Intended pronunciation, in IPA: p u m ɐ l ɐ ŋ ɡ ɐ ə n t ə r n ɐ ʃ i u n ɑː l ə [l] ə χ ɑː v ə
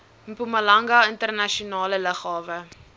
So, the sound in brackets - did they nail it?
yes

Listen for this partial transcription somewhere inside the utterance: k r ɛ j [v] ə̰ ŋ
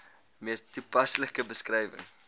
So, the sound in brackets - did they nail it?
yes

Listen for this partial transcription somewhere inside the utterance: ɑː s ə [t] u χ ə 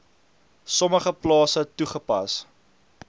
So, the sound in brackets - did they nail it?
yes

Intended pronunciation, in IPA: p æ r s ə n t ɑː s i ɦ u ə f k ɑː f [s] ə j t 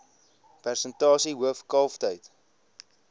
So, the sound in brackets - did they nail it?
no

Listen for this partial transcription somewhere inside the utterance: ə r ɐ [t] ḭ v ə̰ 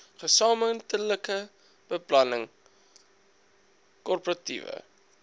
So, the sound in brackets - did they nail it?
yes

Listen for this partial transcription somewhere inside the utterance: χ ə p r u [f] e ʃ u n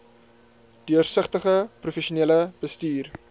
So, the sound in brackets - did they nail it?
yes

